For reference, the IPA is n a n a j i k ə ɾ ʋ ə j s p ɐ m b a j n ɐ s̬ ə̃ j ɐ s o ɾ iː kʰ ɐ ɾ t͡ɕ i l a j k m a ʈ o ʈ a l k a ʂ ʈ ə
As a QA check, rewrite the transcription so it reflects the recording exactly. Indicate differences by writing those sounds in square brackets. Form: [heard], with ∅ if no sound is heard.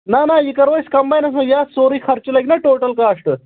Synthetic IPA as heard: n a n a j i k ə ɾ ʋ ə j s [k] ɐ m b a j n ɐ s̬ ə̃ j [a] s o ɾ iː kʰ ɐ ɾ t͡ɕ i l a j k [n] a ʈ o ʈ [ə] l k a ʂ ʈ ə